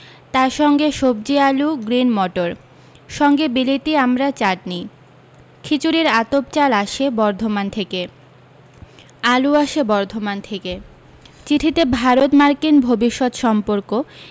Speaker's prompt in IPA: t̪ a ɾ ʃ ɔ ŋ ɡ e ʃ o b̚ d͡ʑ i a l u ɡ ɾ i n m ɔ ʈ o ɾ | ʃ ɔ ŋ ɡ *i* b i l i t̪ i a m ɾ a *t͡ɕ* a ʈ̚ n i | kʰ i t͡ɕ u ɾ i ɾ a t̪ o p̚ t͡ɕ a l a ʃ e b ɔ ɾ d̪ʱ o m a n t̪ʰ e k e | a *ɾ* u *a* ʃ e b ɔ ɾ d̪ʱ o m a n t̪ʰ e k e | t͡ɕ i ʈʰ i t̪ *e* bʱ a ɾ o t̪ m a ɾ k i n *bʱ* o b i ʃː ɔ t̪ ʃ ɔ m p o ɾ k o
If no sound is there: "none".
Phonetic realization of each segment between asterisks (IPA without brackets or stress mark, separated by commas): e, t͡ɕ, l, a, e, bʱ